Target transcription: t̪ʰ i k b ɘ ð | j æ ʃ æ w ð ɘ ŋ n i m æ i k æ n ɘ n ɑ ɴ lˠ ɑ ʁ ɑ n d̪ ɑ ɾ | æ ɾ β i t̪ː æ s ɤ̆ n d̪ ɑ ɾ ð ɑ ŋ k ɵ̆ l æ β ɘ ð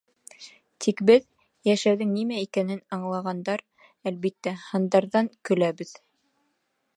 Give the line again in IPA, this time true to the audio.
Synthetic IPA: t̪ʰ i k b ɘ ð | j æ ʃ æ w ð ɘ ŋ n i m æ i k æ n ɘ n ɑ ɴ lˠ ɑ ʁ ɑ n d̪ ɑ ɾ | æ l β i t̪ː æ h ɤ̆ n d̪ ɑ ɾ ð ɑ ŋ k ɵ̆ l æ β ɘ ð